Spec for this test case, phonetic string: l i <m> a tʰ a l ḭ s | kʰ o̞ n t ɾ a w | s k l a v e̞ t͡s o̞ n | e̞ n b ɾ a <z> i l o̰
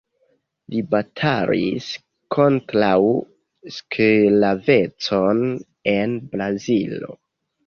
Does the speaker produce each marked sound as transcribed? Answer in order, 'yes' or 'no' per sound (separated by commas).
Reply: no, yes